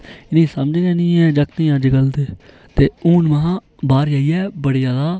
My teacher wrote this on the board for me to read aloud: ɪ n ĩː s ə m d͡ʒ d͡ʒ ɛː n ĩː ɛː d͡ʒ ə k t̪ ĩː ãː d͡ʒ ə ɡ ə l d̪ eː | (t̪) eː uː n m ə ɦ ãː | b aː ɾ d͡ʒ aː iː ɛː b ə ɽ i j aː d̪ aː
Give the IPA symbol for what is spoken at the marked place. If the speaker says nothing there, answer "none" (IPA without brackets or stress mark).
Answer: t̪